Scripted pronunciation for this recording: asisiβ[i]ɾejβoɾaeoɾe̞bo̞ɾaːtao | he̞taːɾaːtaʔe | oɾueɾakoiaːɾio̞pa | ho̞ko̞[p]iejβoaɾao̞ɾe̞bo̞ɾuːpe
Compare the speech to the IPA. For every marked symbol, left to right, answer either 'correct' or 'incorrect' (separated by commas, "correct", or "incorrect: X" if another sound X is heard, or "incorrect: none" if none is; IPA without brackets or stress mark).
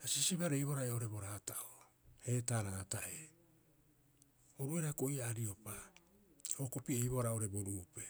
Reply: incorrect: a, correct